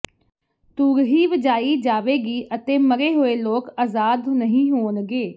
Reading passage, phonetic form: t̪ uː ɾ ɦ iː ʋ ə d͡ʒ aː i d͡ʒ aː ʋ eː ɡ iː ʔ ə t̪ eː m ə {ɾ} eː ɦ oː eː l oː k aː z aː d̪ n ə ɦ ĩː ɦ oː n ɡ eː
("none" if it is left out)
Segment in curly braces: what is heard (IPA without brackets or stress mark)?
ɾ